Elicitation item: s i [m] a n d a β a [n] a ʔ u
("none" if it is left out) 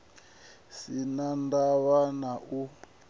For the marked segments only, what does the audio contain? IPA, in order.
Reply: n, n

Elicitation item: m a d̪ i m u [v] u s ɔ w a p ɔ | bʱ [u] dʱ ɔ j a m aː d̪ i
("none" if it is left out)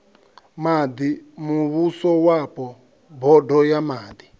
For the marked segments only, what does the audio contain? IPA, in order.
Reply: β, ɔ

